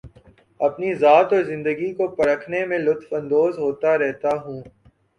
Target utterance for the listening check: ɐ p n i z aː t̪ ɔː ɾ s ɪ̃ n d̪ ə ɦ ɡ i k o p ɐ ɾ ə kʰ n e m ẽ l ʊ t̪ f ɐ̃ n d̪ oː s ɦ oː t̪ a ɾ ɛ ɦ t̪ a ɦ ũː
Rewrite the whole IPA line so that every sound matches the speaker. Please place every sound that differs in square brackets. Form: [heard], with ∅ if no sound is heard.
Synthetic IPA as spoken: ɐ p n i z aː t̪ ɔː ɾ [z] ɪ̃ n d̪ ə [∅] ɡ i k o p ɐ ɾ ə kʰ n e m ẽ l ʊ t̪ f ɐ̃ n d̪ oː [z] ɦ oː t̪ a ɾ ɛ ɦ t̪ a ɦ ũː